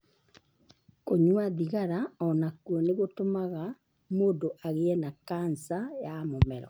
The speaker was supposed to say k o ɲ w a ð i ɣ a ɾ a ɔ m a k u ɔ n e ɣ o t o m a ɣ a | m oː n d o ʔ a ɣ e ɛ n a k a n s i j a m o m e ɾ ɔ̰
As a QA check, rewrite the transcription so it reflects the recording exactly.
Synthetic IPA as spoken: k o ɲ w a ð i ɣ a ɾ a ɔ n a k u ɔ n e ɣ o t o m a ɣ a | m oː n d o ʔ a ɣ e ɛ n a k a n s a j a m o m ɛ ɾ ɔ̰